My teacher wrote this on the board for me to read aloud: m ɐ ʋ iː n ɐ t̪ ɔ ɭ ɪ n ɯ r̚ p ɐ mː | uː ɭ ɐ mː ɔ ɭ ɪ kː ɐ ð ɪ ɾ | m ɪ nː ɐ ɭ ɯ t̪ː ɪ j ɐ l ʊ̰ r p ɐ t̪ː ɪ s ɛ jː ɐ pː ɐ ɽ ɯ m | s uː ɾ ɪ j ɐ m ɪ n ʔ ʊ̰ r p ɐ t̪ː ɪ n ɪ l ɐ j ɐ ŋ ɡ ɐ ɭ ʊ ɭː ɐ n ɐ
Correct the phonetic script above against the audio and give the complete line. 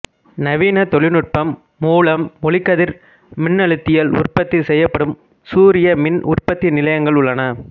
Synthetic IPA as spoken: n ɐ ʋ iː n ɐ t̪ ɔ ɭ ɪ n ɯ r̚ p ɐ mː | uː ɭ ɐ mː ɔ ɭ ɪ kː ɐ ð ɪ ɾ | m ɪ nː ɐ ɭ ɯ t̪ː ɪ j ɐ l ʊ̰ r p ɐ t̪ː ɪ s ɛ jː ɐ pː ɐ ɽ ɯ m | s uː ɾ ɪ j ɐ m ɪ n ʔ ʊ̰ r p ɐ t̪ː ɪ n ɪ l ɐ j ɐ ŋ ɡ ɐ ɭ ʊ ɭː ɐ n ɐ